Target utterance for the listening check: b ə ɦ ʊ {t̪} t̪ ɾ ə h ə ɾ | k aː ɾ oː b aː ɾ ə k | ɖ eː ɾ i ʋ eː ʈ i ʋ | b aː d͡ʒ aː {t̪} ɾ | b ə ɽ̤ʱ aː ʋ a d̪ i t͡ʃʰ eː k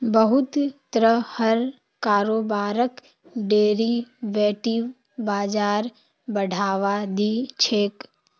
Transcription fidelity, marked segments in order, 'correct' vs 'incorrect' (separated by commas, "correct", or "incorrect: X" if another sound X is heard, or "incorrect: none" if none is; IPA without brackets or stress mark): correct, incorrect: none